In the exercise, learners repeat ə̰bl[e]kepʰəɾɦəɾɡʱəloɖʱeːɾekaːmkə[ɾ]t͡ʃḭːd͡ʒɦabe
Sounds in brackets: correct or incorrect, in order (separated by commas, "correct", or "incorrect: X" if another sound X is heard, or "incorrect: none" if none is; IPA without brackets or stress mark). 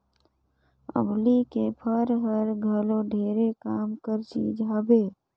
incorrect: i, correct